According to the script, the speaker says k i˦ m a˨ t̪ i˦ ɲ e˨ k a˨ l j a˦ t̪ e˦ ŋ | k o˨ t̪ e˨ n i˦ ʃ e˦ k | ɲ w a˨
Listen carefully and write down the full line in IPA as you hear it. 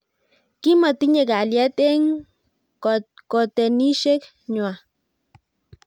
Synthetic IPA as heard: k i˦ m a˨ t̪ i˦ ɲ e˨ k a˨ l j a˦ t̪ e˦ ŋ | k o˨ t̪ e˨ n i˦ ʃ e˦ k | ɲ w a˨